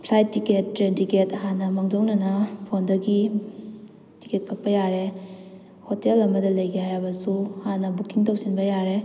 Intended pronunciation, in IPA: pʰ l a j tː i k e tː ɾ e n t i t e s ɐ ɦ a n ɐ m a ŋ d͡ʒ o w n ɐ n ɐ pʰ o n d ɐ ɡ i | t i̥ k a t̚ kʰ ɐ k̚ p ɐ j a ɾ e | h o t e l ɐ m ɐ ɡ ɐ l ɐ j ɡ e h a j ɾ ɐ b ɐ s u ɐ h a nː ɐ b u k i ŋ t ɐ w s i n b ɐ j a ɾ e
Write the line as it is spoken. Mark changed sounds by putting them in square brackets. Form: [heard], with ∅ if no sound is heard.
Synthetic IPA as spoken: pʰ l a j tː i k e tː ɾ e n t i [k] e [t] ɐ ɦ a n ɐ m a ŋ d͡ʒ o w n ɐ n ɐ pʰ o n d ɐ ɡ i | t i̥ k [e] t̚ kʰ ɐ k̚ p ɐ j a ɾ e | h o t e l ɐ m ɐ [d] ɐ l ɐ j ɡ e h a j ɾ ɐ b ɐ s u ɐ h a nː ɐ b u k i ŋ t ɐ w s i n b ɐ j a ɾ e

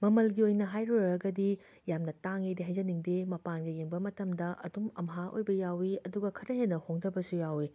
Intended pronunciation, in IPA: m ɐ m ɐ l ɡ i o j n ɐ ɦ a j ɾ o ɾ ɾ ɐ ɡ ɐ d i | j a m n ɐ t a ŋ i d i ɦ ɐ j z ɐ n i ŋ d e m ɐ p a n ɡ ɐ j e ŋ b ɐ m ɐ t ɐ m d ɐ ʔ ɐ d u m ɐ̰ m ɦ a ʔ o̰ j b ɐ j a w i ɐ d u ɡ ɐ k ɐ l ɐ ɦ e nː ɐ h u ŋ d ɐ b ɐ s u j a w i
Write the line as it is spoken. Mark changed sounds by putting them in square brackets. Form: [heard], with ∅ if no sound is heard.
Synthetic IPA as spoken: m ɐ m ɐ l ɡ i o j n ɐ ɦ a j ɾ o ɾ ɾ ɐ ɡ ɐ d i | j a m n ɐ t a ŋ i d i ɦ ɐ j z ɐ n i ŋ d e m ɐ p a n ɡ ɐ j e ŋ b ɐ m ɐ t ɐ m d ɐ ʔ ɐ d u m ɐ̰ m ɦ a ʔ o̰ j b ɐ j a w i ɐ d u ɡ ɐ [kʰ] ɐ [ɾ] ɐ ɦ e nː ɐ h [o] ŋ d ɐ b ɐ s u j a w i

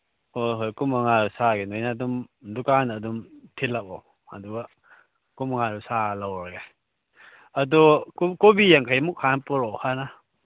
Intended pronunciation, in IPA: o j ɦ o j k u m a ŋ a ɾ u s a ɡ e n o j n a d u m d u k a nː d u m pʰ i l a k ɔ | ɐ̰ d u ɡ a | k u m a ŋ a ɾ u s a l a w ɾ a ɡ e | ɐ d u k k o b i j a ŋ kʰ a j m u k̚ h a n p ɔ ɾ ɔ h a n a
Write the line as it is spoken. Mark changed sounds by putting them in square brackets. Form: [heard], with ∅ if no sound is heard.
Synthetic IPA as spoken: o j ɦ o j k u m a ŋ a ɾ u s a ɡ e n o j n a d u m d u k a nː d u m [tʰ] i l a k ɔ | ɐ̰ d u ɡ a | k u m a ŋ a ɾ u s a l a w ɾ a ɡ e | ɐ d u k k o b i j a ŋ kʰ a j m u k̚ h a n p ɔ ɾ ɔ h a n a

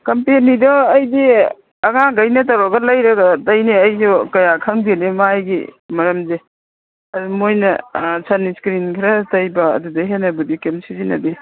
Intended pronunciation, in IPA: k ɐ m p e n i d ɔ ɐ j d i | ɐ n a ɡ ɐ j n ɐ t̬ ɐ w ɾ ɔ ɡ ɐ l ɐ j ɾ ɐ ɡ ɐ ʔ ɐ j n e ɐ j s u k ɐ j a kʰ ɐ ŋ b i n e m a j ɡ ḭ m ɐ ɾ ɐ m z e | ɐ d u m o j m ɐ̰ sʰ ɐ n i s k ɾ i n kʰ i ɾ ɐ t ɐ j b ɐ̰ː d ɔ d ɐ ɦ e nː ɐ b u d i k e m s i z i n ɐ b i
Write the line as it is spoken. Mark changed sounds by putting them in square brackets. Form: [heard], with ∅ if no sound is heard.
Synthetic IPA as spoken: k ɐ m p e n i d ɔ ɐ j d i | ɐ [ŋ] a ɡ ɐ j n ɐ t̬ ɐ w ɾ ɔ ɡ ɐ l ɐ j ɾ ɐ ɡ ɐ [t] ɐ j n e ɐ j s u k ɐ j a kʰ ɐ ŋ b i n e m a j ɡ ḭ m ɐ ɾ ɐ m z e | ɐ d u m o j [n] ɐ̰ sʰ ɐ n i s k ɾ i n kʰ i ɾ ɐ t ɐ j b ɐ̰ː d [u] d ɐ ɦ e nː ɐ b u d i k e m s i z i n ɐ b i

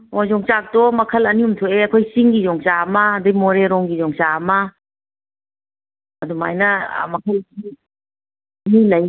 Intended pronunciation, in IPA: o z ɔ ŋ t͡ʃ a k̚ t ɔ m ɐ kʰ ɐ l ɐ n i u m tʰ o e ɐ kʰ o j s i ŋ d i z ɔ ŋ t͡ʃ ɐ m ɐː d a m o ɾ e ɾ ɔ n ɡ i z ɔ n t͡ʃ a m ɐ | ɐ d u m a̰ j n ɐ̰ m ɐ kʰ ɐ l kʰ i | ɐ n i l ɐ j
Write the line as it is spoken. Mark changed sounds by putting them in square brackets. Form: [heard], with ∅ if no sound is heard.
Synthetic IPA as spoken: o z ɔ ŋ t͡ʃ a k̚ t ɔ m ɐ kʰ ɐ l ɐ n i u m tʰ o e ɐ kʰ o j s i ŋ [ɡ] i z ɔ ŋ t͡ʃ [a] m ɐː d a m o ɾ e ɾ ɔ [ŋ] ɡ i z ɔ [ŋ] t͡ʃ a m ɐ | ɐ d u m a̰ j n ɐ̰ m ɐ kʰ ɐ l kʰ i | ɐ n i l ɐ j

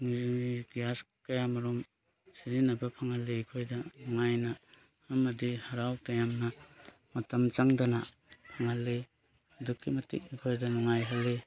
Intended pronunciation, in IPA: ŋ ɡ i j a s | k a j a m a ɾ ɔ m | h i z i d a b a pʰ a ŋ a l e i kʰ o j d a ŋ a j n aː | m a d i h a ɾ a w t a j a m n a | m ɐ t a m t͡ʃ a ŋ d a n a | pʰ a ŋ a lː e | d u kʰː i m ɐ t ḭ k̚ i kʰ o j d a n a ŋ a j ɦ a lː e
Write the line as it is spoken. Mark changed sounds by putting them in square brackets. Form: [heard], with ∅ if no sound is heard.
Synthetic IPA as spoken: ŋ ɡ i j a s | k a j a m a ɾ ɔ m | [s] i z i [n] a b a pʰ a ŋ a l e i kʰ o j d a ŋ a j n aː | m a d i h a ɾ a w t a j a m n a | m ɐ t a m t͡ʃ a ŋ d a n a | pʰ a ŋ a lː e | d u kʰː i m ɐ t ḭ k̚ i kʰ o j d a n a ŋ a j ɦ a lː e

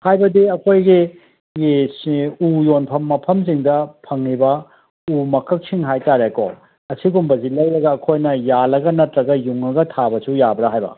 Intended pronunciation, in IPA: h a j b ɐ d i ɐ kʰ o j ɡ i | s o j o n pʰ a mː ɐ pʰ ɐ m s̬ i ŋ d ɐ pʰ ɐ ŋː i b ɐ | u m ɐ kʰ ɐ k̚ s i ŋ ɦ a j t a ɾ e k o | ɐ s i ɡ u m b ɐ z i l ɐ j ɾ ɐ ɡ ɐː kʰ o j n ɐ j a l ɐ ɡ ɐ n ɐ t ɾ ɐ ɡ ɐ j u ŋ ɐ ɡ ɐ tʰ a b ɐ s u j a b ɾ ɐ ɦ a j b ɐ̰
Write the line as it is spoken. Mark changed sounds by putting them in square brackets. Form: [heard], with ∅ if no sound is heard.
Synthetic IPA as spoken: h a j b ɐ d i ɐ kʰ o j ɡ i | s [u] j o n pʰ [ɐ] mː ɐ pʰ ɐ m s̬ i ŋ d ɐ pʰ ɐ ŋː i b ɐ | u m ɐ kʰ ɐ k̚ s i ŋ ɦ a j t a ɾ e k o | ɐ s i ɡ u m b ɐ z i l ɐ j ɾ ɐ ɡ ɐː kʰ o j n ɐ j a l ɐ ɡ ɐ n ɐ t ɾ ɐ ɡ ɐ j u ŋ ɐ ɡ ɐ tʰ a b ɐ s u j a b ɾ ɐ ɦ a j b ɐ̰

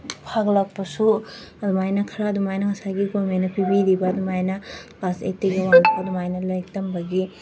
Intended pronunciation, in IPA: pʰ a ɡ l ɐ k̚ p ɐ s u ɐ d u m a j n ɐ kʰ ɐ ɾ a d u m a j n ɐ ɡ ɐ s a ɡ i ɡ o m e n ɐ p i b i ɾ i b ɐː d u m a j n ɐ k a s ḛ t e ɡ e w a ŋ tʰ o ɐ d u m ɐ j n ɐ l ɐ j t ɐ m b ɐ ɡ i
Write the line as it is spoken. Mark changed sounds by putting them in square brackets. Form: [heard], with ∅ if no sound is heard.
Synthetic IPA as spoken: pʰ a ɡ l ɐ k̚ p ɐ s u ɐ d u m a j n ɐ kʰ ɐ ɾ a d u m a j n ɐ [ŋ] ɐ s a ɡ i ɡ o m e n ɐ p i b i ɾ i b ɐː d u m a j n ɐ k a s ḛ t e ɡ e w a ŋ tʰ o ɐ d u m [a] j n ɐ l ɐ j t ɐ m b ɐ ɡ i

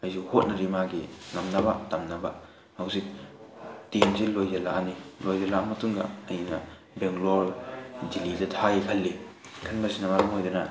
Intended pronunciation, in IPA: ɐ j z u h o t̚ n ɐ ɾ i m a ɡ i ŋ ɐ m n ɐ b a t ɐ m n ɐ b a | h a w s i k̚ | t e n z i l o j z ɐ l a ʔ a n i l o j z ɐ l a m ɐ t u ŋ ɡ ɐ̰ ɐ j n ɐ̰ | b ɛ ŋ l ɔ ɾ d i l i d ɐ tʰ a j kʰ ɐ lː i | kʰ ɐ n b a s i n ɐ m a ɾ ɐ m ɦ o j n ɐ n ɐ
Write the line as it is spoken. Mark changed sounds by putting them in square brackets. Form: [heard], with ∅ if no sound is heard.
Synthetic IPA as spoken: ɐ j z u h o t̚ n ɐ ɾ i m a ɡ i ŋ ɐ m n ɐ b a t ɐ m n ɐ b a | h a w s i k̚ | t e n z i l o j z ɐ l a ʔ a n i l o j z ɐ l a m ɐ t u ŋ ɡ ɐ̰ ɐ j n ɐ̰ | b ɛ ŋ l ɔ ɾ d i l i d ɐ tʰ a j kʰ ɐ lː i | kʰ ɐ n b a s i n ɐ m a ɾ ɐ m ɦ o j [d] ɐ n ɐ

